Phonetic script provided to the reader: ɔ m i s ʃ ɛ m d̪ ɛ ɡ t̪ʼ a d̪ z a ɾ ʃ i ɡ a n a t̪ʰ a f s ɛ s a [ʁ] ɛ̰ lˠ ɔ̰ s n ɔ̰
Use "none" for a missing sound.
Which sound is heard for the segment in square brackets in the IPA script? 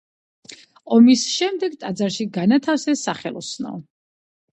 χ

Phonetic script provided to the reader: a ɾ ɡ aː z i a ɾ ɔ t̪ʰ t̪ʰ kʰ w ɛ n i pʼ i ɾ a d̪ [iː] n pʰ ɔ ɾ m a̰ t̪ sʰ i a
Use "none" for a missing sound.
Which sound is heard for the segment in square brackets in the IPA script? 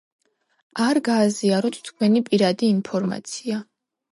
iː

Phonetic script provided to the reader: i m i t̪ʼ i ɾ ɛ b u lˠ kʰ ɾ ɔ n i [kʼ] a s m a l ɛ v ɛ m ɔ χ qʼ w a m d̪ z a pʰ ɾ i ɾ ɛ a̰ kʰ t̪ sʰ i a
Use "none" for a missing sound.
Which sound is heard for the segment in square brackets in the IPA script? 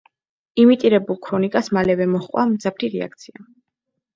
kʼ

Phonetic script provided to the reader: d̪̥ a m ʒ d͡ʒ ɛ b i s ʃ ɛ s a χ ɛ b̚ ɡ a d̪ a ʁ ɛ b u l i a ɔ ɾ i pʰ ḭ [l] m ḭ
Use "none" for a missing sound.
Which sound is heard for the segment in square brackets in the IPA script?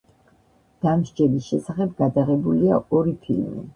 l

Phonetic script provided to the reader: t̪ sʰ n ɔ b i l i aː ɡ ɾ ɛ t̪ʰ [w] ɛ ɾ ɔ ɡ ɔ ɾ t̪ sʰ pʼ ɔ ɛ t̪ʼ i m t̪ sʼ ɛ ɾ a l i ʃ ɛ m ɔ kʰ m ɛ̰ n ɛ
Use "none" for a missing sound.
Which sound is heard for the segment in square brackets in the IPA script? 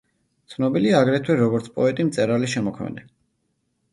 w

